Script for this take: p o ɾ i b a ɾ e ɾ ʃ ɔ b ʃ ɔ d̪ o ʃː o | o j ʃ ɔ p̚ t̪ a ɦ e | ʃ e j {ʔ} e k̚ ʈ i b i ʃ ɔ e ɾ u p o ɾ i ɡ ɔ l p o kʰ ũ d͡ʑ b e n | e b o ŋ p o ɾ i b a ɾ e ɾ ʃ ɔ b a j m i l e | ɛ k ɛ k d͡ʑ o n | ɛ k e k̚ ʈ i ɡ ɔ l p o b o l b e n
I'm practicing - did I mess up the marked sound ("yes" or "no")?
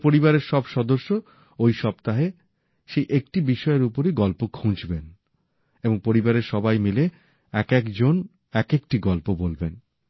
no